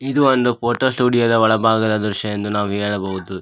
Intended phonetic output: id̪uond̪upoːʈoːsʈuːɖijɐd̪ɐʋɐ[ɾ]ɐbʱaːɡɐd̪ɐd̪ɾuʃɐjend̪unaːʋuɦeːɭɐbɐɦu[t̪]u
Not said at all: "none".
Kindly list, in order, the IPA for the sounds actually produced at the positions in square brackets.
ɭ, d̪

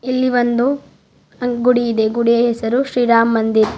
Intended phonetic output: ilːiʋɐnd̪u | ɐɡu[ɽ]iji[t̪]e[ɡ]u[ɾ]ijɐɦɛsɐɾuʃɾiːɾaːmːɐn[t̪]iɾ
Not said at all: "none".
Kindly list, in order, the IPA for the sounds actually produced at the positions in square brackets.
ɽ, d̪, ɡ, ɽ, d̪

